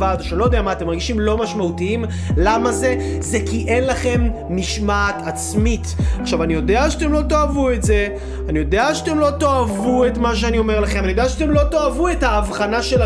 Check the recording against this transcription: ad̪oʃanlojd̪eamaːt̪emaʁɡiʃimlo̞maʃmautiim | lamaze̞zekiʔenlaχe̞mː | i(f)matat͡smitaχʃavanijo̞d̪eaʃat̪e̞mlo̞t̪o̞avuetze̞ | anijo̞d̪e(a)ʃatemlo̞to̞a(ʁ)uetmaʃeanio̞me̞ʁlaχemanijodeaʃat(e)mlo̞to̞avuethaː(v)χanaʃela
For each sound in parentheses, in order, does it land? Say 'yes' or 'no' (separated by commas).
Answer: no, yes, no, yes, yes